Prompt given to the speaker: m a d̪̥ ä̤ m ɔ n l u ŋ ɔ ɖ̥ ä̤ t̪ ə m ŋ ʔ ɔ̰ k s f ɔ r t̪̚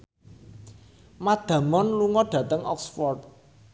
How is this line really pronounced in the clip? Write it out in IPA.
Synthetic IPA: m a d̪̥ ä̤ m ɔ n l u ŋ ɔ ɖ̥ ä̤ t̪ ə ŋ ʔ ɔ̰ k s f ɔ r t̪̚